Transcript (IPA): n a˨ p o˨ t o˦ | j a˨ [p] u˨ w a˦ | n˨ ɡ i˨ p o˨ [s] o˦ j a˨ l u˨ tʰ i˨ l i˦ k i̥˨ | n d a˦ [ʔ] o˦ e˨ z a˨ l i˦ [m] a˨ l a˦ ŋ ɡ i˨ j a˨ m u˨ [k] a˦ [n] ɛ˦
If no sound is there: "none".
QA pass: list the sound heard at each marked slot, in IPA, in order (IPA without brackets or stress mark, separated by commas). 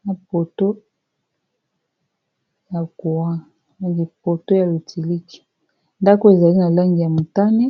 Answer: k, t, k, n, t, n